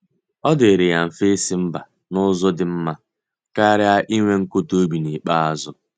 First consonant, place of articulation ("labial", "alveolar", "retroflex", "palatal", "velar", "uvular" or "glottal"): alveolar